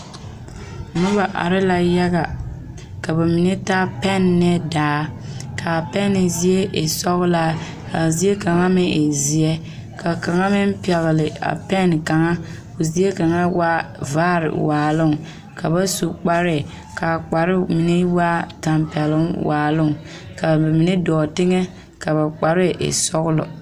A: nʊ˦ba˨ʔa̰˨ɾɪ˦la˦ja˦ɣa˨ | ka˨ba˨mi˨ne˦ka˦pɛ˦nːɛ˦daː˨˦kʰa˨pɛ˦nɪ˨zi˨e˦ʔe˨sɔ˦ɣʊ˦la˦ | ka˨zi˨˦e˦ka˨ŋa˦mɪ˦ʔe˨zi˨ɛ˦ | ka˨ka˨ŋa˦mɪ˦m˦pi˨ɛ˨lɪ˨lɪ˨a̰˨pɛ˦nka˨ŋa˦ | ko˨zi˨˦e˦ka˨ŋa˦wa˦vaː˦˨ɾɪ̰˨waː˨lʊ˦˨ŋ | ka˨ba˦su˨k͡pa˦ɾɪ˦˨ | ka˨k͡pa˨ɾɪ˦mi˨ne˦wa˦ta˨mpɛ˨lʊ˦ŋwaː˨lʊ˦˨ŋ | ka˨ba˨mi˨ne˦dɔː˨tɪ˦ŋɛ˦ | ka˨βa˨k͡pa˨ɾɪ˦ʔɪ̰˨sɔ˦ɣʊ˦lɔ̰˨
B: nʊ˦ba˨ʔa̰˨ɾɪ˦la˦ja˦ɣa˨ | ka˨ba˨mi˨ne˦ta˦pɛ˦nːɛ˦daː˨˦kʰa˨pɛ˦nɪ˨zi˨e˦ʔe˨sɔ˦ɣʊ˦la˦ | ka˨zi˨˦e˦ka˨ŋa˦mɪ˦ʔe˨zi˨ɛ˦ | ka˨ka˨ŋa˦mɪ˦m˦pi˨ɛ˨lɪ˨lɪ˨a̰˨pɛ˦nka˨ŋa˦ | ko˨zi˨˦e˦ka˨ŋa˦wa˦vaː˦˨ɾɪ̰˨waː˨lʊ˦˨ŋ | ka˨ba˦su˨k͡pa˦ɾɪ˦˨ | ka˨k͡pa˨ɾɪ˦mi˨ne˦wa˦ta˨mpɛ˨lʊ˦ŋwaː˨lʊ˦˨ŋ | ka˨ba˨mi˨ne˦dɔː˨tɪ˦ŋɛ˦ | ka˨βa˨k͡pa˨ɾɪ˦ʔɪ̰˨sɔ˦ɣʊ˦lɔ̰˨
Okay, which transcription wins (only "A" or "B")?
B